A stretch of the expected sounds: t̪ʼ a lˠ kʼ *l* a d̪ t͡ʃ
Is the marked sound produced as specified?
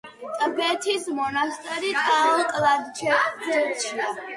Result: yes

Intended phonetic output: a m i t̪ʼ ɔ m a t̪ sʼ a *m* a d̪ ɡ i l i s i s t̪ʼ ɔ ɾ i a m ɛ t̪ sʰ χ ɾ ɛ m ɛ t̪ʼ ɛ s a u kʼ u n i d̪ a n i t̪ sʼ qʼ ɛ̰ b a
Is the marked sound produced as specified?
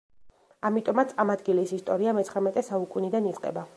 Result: yes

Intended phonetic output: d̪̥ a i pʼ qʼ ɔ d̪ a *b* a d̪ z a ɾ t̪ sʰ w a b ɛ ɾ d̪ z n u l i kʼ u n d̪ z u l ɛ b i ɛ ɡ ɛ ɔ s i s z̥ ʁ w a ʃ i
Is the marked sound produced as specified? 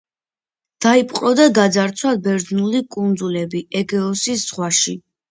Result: no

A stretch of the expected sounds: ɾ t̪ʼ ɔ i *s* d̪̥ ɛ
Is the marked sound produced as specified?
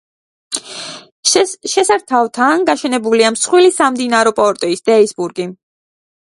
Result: yes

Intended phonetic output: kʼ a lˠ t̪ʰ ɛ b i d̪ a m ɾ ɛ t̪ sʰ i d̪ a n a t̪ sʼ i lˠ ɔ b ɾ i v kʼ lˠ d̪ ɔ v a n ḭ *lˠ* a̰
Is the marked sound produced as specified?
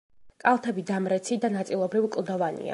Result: no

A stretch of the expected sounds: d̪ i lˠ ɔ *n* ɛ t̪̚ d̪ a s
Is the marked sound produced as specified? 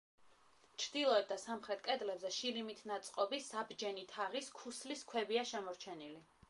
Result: no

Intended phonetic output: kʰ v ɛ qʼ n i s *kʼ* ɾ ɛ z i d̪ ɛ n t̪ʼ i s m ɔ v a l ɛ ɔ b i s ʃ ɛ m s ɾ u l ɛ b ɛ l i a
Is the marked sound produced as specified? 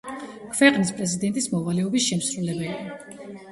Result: no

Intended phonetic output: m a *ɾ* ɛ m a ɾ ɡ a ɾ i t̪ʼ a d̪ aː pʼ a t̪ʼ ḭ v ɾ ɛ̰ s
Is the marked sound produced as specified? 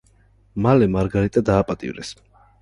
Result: no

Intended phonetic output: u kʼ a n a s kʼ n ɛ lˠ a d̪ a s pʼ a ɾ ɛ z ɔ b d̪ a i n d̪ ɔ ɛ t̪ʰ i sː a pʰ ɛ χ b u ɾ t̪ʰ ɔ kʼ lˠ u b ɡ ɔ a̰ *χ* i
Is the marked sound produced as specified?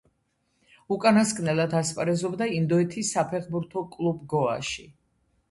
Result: no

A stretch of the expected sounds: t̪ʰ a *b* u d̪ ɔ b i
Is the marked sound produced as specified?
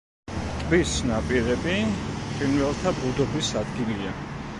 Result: yes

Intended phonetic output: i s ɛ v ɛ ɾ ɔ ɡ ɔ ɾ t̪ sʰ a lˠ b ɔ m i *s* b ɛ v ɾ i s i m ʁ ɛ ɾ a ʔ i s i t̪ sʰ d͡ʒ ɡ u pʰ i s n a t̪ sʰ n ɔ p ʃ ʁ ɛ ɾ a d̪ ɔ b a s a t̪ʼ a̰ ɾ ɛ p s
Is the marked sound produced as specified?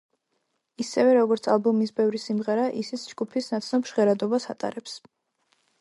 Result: yes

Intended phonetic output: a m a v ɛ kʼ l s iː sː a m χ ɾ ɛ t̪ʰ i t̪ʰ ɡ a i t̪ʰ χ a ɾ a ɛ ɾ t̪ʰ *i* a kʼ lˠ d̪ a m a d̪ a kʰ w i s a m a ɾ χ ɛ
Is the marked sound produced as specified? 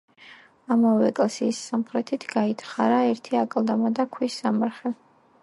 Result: yes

